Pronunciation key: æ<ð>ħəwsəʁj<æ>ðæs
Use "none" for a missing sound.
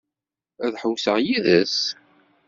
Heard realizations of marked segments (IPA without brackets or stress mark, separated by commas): ð, i